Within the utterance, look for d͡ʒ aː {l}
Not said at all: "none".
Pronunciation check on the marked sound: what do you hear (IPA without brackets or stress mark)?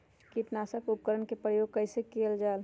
l